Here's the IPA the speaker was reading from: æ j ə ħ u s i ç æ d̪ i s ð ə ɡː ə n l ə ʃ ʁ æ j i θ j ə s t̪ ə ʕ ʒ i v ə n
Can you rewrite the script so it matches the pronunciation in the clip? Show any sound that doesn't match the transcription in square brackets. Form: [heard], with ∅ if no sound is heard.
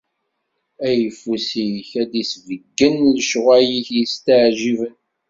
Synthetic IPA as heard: æ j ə [f] u s i ç æ d̪ i s [v] ə ɡː ə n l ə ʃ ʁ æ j i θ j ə s t̪ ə ʕ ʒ i v ə n